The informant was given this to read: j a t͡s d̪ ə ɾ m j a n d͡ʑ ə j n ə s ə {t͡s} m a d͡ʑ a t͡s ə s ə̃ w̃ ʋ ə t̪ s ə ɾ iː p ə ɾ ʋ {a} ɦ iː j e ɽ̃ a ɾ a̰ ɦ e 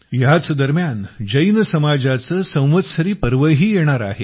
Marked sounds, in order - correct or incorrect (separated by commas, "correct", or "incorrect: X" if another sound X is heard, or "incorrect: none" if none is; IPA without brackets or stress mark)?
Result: incorrect: none, incorrect: ə